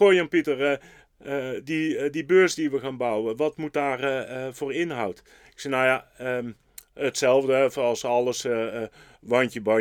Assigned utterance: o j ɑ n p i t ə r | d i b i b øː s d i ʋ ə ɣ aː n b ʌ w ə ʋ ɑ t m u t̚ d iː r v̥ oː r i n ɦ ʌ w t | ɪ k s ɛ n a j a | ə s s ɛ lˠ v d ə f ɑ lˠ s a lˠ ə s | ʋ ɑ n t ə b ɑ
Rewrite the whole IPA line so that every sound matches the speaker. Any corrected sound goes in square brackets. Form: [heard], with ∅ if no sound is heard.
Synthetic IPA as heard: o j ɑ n p i t ə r | d i [d] i b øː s d i ʋ ə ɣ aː n b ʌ w ə ʋ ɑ t m u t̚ d [aː] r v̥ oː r [ɪ] n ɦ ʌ w t | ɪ k s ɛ n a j a | ə [t] s ɛ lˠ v d ə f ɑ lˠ s [ɑ] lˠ ə s | ʋ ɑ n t ə b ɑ